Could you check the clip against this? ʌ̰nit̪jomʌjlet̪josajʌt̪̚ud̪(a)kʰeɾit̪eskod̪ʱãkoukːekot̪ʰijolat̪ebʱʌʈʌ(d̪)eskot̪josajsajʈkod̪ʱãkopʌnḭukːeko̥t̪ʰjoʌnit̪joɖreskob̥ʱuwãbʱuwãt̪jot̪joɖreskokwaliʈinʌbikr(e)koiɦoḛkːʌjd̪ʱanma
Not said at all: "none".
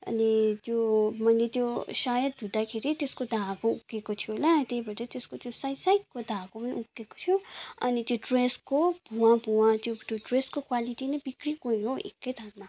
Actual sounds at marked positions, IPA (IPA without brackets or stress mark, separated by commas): a, t̪, i